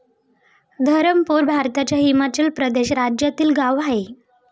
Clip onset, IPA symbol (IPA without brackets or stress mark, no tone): d̪ʱ